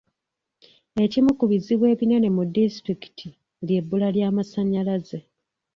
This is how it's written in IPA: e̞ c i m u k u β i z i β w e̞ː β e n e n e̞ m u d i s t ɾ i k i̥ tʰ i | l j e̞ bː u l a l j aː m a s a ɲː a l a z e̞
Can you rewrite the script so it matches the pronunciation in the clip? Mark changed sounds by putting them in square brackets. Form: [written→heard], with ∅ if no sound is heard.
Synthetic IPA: e̞ c i m u k u β i z i β w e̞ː β [e→i] n e n e̞ m u d i s t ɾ i k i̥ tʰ i | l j e̞ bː u l a l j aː m a s a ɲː a l a z e̞

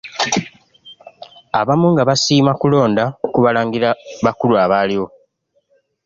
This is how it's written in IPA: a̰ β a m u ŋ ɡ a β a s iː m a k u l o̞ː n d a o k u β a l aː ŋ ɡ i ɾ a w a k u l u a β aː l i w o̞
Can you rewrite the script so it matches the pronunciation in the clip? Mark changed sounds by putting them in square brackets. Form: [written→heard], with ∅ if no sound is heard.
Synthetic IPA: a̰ β a m u ŋ ɡ a β a s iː m a k u l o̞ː n d a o k u β a l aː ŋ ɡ i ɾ a [w→β] a k u l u a β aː l i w o̞

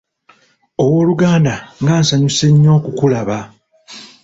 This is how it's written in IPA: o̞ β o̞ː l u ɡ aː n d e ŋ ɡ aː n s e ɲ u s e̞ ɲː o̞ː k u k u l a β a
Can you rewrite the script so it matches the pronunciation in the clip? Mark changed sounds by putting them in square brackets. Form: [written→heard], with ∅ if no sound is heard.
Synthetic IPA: o̞ [β→w] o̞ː l u ɡ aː n d [e→a] ŋ ɡ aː n s [e→a] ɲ u s e̞ ɲː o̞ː k u k u l a β a

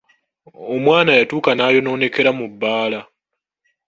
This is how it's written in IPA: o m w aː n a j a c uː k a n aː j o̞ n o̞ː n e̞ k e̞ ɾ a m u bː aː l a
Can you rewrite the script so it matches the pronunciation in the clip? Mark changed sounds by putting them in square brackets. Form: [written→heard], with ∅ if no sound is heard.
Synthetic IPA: o m w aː n a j a [c→t] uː k a n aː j o̞ n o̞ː n e̞ k e̞ ɾ a m u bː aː l a

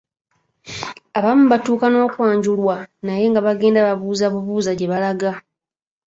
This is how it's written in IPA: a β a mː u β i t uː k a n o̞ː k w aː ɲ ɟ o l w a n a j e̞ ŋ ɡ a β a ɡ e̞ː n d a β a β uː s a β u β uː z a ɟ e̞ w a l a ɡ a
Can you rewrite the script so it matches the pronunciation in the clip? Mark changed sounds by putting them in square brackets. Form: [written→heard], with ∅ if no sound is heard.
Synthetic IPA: a β a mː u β [i→a] t uː k a n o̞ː k w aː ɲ ɟ [o→u] l w a n a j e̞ ŋ ɡ a β a ɡ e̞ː n d a β a β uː [s→z] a β u β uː z a ɟ e̞ [w→β] a l a ɡ a

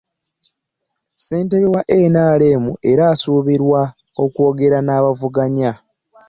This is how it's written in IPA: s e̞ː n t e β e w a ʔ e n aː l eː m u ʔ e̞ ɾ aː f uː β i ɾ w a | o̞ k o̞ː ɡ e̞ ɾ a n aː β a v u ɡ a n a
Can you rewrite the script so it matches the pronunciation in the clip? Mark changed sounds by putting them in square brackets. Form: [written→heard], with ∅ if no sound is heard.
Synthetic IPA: s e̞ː n t e β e w a ʔ e n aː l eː m u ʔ e̞ ɾ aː [f→s] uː β i ɾ w a | o̞ k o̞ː ɡ e̞ ɾ a n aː β a v u ɡ a [n→ɲ] a

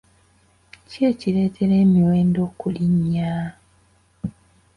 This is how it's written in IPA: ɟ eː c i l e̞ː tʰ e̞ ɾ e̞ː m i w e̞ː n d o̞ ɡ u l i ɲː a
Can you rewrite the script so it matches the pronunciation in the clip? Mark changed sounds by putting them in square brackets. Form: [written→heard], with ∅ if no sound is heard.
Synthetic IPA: [ɟ→c] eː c i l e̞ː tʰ e̞ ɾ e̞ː m i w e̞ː n d o̞ [ɡ→k] u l i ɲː a

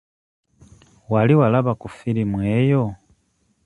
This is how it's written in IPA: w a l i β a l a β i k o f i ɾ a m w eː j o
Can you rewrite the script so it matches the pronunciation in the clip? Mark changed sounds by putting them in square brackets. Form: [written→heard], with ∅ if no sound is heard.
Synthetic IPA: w a l i [β→w] a l a β [i→a] k [o→u] f i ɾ [a→i] m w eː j o

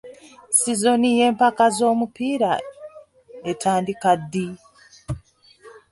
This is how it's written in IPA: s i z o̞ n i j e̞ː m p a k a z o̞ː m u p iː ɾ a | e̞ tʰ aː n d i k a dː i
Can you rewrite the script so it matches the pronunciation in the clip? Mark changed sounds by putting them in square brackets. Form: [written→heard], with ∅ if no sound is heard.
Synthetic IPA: s i z o̞ n i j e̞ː m p a k a z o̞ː m u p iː ɾ a | e̞ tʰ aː n d i k a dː i

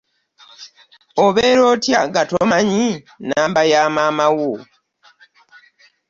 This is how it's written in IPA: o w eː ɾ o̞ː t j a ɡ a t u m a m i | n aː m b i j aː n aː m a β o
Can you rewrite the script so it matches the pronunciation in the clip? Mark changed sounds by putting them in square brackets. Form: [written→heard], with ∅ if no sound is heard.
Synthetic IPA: o [w→β] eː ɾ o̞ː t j a ɡ a t [u→o] m a [m→ɲ] i | n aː m b [i→a] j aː [n→m] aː m a [β→w] o

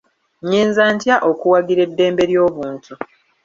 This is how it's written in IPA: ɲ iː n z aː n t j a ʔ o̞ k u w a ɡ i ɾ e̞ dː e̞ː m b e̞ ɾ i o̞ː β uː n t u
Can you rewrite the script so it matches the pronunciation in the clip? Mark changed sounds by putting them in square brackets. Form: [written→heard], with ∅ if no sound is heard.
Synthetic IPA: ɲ iː n z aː n t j a ʔ o̞ k u w a ɡ i ɾ e̞ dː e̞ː m b e̞ ɾ [i→j] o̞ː β uː n t u

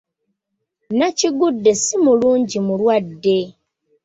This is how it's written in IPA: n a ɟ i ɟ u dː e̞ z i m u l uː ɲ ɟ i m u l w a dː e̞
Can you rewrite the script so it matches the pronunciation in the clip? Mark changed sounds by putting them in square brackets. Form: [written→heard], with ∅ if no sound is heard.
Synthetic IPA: n a [ɟ→c] i [ɟ→ɡ] u dː e̞ [z→s] i m u l uː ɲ ɟ i m u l w a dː e̞

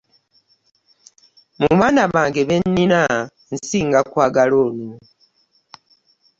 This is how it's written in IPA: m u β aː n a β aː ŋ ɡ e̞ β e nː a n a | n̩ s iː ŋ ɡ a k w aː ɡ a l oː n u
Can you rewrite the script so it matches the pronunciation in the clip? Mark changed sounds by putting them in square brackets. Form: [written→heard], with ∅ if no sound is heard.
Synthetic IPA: m u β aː n a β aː ŋ ɡ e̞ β e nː [a→i] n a | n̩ s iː ŋ ɡ a k w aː ɡ a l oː n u

